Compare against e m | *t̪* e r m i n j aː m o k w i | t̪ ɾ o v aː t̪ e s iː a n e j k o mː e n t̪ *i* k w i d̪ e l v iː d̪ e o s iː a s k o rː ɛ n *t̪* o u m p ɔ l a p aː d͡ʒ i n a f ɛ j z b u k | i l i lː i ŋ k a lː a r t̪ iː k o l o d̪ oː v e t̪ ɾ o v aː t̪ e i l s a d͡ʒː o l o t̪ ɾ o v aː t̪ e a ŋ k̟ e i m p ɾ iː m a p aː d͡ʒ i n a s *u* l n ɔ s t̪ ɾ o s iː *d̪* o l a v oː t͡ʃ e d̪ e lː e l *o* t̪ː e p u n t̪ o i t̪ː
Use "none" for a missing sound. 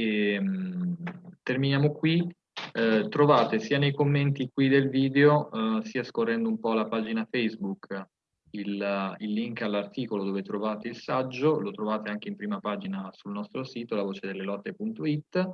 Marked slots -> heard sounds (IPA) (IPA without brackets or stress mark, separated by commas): t̪, i, d̪, u, t̪, ɔ